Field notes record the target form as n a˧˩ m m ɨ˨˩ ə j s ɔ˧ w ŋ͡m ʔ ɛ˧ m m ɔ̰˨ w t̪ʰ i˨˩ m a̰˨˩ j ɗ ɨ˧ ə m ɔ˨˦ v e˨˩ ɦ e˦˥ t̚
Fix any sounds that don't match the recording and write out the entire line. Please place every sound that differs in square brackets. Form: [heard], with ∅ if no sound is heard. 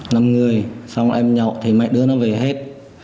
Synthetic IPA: n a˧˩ m [ŋ] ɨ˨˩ ə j s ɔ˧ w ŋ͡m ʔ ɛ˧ m [ɲ] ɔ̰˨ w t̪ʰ i˨˩ m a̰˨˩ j ɗ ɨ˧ ə [n] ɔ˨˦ v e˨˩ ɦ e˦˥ t̚